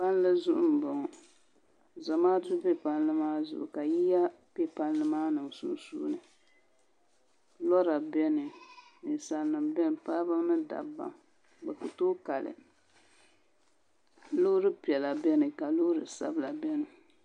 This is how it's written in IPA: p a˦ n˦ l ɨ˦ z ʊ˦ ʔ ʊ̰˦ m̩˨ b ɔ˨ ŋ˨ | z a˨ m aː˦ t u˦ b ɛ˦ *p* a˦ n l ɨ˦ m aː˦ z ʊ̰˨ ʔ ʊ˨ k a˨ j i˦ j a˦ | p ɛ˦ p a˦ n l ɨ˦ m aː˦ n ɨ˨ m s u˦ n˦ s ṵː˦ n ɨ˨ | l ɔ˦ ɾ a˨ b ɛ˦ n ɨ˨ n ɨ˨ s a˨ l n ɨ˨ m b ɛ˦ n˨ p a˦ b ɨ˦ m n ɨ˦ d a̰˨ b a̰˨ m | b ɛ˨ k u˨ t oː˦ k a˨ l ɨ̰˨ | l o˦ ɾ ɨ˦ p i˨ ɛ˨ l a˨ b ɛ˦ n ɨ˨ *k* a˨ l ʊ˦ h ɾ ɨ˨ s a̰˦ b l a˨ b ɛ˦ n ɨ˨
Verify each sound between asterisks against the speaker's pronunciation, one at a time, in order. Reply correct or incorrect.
correct, correct

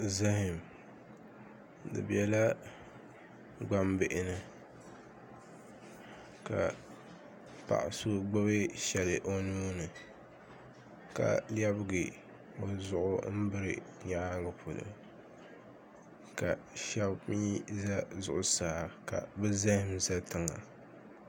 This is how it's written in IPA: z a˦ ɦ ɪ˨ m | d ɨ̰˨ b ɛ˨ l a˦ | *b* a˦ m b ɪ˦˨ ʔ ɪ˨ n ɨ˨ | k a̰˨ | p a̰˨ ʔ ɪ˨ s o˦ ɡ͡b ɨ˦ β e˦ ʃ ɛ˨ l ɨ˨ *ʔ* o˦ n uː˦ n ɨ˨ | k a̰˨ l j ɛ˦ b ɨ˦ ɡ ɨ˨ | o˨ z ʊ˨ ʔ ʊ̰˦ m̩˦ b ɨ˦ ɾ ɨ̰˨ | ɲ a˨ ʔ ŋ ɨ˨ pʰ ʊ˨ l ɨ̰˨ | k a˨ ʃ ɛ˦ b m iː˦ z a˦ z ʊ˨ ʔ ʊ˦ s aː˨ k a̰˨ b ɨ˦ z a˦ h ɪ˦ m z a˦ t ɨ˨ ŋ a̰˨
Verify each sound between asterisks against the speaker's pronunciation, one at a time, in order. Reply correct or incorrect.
incorrect, correct

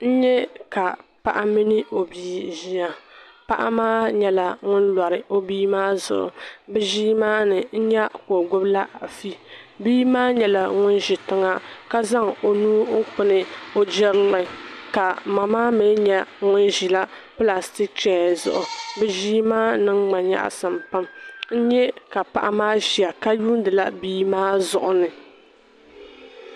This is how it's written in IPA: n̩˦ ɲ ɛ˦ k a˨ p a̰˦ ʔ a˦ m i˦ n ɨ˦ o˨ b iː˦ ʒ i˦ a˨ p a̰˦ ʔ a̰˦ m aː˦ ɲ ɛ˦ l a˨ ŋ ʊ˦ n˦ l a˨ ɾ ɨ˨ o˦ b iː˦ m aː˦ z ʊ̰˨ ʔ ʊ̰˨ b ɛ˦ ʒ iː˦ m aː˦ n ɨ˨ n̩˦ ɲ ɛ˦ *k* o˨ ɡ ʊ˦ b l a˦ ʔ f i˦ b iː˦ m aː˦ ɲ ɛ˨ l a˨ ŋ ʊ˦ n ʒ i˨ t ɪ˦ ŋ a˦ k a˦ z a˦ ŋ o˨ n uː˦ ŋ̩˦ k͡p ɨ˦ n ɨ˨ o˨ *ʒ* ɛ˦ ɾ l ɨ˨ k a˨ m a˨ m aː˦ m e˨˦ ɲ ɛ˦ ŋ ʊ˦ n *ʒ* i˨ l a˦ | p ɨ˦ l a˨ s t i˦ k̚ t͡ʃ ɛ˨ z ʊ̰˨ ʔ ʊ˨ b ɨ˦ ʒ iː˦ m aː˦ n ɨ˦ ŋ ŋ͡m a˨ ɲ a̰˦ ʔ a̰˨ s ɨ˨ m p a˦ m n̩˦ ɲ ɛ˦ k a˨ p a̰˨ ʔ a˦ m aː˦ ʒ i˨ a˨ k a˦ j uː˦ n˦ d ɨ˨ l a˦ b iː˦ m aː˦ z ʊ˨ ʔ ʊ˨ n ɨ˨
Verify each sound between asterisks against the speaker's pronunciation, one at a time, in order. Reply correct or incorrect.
correct, incorrect, correct

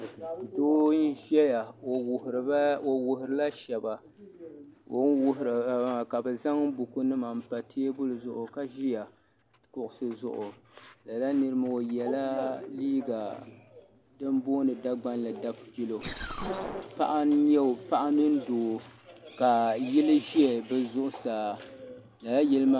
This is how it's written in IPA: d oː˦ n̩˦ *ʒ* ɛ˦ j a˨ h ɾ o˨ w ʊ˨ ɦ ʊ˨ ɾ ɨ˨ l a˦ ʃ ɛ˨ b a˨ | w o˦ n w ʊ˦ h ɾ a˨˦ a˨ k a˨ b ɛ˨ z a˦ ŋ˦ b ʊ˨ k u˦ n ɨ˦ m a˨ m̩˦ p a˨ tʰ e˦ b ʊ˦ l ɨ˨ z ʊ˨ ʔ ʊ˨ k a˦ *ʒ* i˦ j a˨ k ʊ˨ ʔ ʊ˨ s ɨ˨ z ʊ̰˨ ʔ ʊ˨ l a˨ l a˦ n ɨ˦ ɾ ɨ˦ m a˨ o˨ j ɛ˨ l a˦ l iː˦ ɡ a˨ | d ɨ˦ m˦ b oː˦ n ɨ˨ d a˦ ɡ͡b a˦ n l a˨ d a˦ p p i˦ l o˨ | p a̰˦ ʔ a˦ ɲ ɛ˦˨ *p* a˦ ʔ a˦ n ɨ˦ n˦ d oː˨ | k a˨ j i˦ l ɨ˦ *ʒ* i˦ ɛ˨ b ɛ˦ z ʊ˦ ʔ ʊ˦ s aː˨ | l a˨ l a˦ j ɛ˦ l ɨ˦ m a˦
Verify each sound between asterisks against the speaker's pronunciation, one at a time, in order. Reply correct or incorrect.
correct, correct, correct, correct

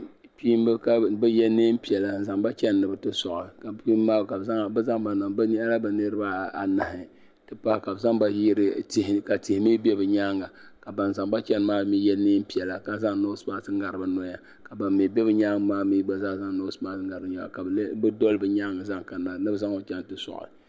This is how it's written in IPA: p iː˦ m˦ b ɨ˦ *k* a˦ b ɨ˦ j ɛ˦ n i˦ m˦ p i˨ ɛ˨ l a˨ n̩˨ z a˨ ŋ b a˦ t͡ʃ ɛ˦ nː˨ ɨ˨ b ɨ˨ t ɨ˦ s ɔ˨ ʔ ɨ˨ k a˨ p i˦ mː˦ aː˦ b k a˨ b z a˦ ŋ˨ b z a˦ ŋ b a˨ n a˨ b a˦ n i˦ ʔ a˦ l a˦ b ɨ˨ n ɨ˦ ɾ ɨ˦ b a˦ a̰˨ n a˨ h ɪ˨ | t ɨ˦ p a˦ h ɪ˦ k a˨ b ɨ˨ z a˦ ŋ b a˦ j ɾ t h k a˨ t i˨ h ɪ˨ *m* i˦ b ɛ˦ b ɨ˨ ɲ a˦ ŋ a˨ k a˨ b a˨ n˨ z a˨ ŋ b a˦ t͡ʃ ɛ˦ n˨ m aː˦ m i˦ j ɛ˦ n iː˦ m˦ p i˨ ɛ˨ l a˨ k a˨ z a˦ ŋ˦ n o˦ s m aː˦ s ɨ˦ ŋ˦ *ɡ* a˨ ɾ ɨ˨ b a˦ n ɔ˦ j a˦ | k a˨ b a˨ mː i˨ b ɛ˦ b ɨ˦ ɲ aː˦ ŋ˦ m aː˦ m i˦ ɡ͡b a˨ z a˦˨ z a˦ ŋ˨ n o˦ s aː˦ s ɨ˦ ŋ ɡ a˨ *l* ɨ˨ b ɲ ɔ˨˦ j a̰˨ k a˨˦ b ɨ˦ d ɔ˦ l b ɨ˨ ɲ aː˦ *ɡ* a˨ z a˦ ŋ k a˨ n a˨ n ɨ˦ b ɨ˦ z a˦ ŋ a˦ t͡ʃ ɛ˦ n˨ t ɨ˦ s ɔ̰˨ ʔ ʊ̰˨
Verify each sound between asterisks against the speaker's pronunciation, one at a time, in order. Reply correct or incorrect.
correct, correct, correct, incorrect, incorrect

